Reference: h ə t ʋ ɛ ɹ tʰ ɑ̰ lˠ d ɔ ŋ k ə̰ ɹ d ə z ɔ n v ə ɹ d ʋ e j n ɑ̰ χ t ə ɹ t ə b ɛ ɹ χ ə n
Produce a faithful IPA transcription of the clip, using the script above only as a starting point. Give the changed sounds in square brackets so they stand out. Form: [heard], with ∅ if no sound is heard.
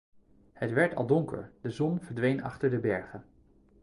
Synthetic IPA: h ə t ʋ ɛ ɹ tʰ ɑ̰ lˠ d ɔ ŋ k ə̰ ɹ d ə z ɔ n v ə ɹ d ʋ e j n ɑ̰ χ t ə ɹ [d] ə b ɛ ɹ χ ə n